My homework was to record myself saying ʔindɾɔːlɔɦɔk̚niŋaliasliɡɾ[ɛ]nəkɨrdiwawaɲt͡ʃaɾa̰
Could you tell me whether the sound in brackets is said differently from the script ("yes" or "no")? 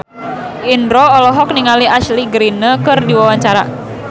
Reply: yes